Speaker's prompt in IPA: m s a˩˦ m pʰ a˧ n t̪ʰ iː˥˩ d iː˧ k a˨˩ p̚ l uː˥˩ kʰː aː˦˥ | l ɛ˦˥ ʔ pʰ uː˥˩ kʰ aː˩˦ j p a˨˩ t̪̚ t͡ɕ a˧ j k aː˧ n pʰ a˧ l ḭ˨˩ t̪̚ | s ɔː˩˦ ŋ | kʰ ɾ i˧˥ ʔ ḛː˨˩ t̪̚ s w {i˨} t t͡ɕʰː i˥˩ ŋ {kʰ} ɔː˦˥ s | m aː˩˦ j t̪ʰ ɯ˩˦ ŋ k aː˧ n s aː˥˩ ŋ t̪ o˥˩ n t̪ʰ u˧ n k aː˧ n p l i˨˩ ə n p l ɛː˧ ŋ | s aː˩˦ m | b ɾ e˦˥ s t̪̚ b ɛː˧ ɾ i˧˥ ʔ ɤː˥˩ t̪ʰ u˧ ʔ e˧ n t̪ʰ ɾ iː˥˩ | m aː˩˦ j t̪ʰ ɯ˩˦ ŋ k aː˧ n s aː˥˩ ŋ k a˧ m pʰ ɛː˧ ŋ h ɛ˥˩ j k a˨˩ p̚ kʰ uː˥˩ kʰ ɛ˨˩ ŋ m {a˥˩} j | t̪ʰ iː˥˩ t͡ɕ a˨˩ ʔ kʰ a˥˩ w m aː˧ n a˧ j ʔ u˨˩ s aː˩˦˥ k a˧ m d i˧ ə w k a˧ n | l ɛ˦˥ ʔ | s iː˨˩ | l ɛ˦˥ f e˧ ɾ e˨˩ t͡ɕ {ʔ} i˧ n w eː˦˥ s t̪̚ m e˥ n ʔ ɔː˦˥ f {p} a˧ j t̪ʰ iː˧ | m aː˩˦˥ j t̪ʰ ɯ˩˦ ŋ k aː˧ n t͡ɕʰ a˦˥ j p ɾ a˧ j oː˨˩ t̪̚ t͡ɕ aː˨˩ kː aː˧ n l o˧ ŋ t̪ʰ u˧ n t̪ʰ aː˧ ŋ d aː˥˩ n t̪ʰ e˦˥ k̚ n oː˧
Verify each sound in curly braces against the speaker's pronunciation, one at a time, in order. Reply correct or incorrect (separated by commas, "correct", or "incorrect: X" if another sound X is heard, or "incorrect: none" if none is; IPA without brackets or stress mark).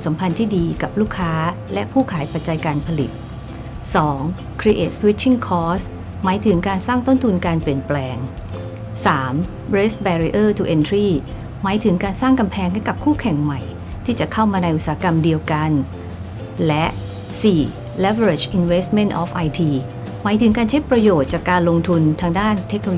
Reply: incorrect: i˦˥, correct, incorrect: a˨˩, correct, incorrect: ʔ